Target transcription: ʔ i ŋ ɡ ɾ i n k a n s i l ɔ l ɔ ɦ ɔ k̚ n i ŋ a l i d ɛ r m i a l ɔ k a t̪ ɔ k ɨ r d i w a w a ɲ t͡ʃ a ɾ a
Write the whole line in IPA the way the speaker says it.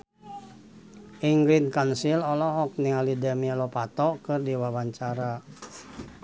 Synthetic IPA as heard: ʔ i ŋ ɡ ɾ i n k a n s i l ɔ l ɔ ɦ ɔ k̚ n i ŋ a l i d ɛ m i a l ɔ p a t̪ ɔ k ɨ r d i w a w a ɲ t͡ʃ a ɾ a